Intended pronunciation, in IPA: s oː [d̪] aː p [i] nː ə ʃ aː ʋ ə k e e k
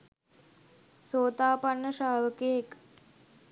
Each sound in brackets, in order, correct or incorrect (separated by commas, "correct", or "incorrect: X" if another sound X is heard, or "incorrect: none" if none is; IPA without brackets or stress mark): incorrect: t̪, incorrect: a